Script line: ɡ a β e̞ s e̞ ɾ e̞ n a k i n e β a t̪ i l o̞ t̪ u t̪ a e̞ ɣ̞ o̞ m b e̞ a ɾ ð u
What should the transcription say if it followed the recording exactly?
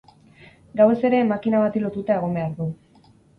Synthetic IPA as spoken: ɡ a w e̞ s e̞ ɾ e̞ m a k i n a β a t̪ i l o̞ t̪ u t̪ a e̞ ɣ̞ o̞ m b e̞ a ɾ ð u